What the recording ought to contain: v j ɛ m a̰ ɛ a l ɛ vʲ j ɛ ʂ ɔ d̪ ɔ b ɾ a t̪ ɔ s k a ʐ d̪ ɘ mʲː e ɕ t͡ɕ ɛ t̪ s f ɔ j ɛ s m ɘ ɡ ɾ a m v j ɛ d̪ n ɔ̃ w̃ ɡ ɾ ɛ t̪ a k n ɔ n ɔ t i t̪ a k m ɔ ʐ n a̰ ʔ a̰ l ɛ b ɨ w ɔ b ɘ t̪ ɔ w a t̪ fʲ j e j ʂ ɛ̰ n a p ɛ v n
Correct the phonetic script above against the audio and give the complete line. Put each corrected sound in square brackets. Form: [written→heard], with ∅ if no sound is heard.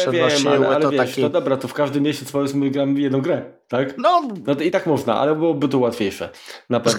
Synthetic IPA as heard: v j ɛ m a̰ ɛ a l ɛ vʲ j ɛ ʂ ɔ d̪ ɔ b ɾ a t̪ ɔ [s→f] k a ʐ d̪ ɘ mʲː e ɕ t͡ɕ ɛ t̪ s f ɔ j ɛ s m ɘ ɡ ɾ a m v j ɛ d̪ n ɔ̃ w̃ ɡ ɾ ɛ t̪ a k n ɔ n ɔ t i t̪ a k m ɔ ʐ n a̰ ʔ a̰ l ɛ b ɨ w ɔ b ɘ t̪ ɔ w a t̪ fʲ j e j ʂ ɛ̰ n a p ɛ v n